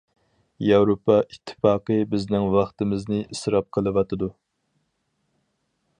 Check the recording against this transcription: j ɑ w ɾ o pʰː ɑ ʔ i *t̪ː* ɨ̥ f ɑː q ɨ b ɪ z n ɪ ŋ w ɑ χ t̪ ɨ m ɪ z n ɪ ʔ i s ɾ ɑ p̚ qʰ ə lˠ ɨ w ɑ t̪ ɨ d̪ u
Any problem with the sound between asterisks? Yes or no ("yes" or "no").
yes